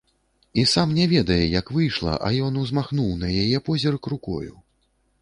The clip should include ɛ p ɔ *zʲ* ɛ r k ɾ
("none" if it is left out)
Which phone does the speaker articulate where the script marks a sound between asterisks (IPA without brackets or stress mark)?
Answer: zʲ